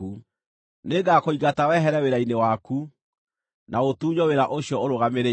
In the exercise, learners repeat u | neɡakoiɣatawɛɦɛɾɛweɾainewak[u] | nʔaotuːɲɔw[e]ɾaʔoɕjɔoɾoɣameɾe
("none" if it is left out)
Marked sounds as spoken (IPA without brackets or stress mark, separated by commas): u, e